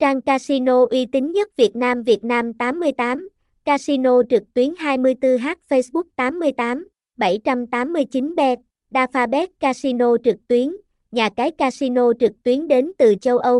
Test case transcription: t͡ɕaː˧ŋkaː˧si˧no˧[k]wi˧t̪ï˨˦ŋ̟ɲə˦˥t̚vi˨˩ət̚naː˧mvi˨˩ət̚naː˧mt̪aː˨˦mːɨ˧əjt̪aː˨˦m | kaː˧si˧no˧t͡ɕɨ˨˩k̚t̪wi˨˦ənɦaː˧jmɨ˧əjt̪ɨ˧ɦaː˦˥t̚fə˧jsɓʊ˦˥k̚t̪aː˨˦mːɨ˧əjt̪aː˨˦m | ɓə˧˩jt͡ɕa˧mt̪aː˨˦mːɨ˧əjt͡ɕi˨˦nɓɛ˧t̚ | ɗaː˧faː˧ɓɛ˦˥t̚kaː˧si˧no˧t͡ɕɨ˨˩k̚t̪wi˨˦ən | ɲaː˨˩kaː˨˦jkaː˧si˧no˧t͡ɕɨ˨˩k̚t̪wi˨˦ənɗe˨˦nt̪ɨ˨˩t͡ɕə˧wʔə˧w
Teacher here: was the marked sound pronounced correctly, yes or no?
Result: no